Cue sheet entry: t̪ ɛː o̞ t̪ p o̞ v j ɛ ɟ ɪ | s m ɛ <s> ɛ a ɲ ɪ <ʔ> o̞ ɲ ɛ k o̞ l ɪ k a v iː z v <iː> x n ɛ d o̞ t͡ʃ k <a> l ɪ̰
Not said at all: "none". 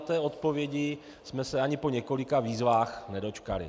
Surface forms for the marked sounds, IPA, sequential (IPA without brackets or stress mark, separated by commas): s, p, aː, a